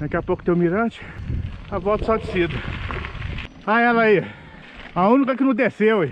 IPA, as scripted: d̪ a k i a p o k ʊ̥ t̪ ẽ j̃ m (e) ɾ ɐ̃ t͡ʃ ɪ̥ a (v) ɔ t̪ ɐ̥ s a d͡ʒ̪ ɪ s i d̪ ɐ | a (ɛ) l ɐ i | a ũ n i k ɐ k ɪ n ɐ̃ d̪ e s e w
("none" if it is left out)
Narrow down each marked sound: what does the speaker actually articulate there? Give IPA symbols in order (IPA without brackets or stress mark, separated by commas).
i, v, ɛ